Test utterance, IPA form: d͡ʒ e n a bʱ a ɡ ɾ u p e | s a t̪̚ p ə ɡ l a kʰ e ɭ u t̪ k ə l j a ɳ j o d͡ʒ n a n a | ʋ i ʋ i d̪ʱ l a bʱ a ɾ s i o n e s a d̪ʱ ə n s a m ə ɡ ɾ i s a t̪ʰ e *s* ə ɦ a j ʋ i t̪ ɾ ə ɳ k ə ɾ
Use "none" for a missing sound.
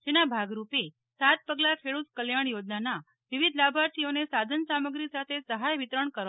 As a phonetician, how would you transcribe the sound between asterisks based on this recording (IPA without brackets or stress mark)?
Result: s